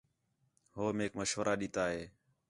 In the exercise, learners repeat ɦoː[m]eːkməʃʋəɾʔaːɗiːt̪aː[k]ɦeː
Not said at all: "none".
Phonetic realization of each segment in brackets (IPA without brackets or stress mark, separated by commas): m, none